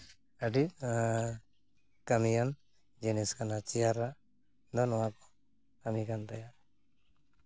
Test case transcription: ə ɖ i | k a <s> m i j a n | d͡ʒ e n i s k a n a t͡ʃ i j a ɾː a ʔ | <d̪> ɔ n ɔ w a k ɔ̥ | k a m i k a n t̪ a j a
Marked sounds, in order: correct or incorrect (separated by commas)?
incorrect, correct